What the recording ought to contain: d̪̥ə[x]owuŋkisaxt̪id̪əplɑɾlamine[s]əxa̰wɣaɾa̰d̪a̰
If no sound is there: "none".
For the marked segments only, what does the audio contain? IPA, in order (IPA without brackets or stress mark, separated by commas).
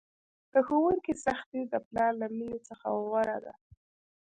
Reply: x, t͡s